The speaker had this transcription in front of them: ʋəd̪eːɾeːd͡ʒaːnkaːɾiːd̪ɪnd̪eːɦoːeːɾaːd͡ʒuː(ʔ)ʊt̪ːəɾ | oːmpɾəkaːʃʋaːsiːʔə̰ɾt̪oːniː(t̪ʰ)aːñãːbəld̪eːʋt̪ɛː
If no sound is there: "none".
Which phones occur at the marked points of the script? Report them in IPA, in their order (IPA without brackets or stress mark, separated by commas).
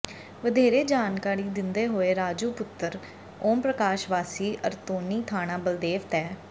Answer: p, t̪ʰ